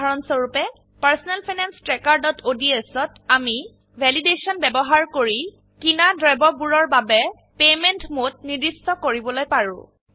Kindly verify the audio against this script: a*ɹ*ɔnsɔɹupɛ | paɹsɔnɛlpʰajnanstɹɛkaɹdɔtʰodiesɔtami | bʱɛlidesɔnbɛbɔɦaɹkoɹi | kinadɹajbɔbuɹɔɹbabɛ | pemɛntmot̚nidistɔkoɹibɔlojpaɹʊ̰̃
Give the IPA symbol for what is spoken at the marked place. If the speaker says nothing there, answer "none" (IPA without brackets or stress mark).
ɹ